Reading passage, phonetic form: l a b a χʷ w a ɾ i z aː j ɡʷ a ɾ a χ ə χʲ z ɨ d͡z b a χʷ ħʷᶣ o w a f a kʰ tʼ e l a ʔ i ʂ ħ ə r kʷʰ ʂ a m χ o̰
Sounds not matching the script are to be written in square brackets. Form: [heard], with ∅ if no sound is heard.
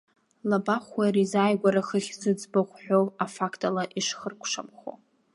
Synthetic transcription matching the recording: l a b a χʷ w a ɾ i z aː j ɡʷ a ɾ a χ ə χʲ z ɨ d͡z b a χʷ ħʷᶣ o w a f a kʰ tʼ [a] l a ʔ i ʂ [χ] ə r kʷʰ ʂ a m χ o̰